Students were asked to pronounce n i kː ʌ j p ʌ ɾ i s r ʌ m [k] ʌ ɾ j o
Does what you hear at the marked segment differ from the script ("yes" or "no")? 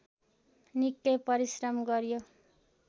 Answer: yes